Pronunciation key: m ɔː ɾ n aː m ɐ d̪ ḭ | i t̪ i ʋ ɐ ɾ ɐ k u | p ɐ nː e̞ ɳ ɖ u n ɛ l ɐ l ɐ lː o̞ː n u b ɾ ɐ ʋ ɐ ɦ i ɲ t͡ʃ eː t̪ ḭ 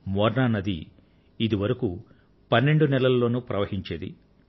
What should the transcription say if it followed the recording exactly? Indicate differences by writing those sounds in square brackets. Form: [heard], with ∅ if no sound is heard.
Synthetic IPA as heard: m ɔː ɾ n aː [n] ɐ d̪ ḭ | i [d̪] i ʋ ɐ ɾ ɐ k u | p ɐ nː e̞ ɳ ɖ u n ɛ l ɐ l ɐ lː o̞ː n u [p] ɾ ɐ ʋ ɐ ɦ i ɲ t͡ʃ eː [d̪] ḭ